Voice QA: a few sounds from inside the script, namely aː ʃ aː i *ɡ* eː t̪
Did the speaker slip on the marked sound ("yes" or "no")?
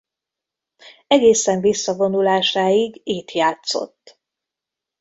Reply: no